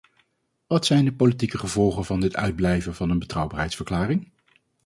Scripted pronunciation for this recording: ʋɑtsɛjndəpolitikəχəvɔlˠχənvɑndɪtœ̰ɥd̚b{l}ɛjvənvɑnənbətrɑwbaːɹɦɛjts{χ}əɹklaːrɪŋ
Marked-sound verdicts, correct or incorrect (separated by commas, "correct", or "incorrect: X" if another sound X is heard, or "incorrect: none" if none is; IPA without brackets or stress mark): correct, incorrect: f